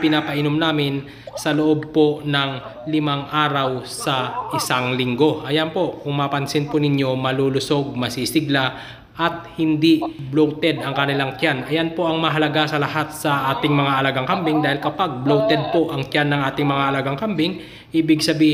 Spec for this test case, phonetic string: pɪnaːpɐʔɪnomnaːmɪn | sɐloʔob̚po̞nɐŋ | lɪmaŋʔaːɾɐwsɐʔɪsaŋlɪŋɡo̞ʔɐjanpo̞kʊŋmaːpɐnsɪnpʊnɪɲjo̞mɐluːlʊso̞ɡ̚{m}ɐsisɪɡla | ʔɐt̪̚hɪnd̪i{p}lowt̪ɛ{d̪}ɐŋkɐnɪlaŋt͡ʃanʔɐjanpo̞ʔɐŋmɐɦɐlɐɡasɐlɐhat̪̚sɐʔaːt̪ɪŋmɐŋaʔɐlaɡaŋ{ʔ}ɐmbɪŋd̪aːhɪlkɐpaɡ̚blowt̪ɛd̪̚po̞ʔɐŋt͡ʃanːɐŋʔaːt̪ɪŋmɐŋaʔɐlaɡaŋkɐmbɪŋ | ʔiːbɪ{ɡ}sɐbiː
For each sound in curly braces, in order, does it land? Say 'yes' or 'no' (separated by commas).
yes, no, yes, no, yes